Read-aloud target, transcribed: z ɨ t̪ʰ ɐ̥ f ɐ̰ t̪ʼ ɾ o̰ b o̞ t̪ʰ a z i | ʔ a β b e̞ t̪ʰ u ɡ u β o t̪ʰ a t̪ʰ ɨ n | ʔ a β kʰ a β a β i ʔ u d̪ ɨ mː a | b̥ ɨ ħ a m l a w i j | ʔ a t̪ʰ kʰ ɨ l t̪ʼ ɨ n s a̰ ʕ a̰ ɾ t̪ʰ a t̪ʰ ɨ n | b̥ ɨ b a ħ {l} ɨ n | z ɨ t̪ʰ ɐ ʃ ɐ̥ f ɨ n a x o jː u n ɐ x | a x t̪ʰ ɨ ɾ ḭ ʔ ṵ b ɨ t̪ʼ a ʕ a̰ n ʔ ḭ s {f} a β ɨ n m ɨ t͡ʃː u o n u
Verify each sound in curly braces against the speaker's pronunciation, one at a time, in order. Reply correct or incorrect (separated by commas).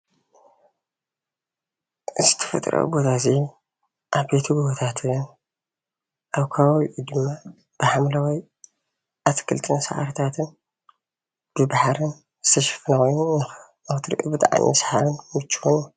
incorrect, incorrect